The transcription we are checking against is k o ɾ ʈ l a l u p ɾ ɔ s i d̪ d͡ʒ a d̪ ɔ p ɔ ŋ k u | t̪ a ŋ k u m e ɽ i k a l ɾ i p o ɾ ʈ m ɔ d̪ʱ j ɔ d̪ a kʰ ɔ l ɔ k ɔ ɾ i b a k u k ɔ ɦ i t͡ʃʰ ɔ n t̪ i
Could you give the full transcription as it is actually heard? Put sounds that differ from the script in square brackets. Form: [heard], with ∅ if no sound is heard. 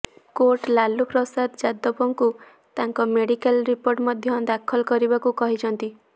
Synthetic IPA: k o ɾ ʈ l a l u p ɾ ɔ s [a] d̪ d͡ʒ a d̪ ɔ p ɔ ŋ k u | t̪ a ŋ k [ɔ] m e ɽ i k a l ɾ i p o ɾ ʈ m ɔ d̪ʱ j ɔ d̪ a kʰ ɔ l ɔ k ɔ ɾ i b a k u k ɔ ɦ i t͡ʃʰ ɔ n t̪ i